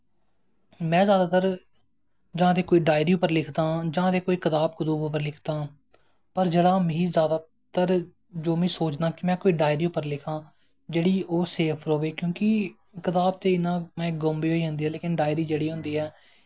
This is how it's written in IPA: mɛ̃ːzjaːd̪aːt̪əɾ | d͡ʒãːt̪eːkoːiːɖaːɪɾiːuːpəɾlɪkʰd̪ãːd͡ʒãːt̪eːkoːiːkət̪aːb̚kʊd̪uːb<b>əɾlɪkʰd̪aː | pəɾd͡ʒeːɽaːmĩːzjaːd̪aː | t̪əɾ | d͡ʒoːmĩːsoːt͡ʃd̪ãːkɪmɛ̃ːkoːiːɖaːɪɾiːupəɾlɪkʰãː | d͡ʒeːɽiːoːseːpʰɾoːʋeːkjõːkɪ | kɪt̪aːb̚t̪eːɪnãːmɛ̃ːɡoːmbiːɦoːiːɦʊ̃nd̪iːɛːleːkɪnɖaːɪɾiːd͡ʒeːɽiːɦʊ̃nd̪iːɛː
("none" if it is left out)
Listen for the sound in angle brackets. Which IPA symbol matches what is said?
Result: p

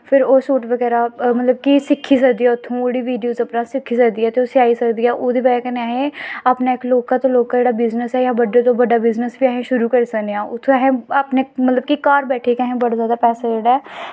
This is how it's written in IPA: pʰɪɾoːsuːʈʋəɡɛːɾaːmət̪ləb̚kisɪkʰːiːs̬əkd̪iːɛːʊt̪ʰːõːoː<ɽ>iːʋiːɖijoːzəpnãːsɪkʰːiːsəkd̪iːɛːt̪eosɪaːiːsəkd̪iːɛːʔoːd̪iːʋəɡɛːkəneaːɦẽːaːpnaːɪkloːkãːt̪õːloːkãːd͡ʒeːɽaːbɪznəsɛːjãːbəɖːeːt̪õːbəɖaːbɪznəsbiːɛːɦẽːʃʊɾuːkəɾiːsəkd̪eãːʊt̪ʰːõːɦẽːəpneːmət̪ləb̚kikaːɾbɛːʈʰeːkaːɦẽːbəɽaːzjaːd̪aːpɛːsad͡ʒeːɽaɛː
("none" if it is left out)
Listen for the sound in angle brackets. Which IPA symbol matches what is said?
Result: ɽ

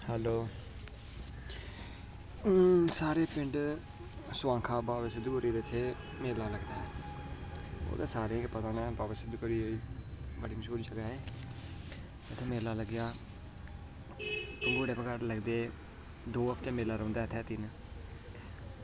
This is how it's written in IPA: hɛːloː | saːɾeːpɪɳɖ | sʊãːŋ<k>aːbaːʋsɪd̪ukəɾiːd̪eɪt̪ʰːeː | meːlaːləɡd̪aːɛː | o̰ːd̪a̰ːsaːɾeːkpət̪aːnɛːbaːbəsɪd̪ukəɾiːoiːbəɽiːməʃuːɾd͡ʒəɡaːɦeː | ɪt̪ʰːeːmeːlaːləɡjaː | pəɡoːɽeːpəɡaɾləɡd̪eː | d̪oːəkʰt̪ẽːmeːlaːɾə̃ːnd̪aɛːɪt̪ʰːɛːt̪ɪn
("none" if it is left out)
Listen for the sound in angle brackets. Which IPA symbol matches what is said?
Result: kʰ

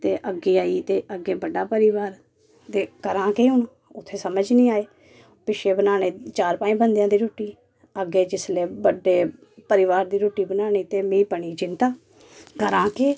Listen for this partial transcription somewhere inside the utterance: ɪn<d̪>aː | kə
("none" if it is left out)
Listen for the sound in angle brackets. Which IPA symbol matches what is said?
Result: t̪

